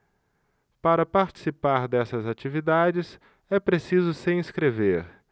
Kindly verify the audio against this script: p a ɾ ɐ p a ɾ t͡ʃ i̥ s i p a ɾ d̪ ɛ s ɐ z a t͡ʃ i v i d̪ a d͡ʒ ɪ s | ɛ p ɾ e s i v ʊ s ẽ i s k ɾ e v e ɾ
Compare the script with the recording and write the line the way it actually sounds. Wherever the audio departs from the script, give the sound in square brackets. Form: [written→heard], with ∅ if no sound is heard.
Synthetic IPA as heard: p a ɾ ɐ p a ɾ t͡ʃ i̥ s i p a ɾ d̪ ɛ s ɐ z a t͡ʃ i v i d̪ a d͡ʒ ɪ s | ɛ p ɾ e s i [v→z] ʊ s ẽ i s k ɾ e v e ɾ